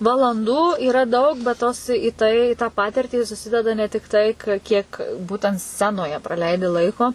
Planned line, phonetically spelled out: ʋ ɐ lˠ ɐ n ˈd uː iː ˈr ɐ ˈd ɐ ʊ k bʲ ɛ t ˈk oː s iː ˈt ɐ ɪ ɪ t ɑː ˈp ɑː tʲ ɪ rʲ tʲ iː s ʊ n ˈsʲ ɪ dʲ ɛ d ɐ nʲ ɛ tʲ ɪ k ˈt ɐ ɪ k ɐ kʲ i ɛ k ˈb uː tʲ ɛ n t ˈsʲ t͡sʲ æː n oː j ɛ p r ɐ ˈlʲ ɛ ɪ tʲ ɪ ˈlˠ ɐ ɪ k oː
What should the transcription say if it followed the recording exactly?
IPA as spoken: ʋ ɐ lˠ ɐ n ˈd uː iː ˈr ɐ ˈd ɐ ʊ k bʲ ɛ t ˈt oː s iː ˈt ɐ ɪ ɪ t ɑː ˈp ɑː tʲ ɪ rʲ tʲ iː s ʊ ˈsʲ ɪ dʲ ɛ d ɐ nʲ ɛ tʲ ɪ k ˈt ɐ ɪ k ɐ kʲ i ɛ k ˈb uː tʲ ɛ n t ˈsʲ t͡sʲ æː n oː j ɛ p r ɐ ˈlʲ ɛ ɪ dʲ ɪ ˈlˠ ɐ ɪ k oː